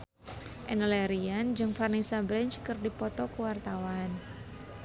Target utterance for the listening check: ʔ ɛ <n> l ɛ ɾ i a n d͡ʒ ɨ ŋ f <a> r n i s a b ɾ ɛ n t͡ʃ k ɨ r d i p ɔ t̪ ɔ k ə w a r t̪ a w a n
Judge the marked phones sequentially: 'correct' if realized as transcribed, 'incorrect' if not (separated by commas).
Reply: correct, correct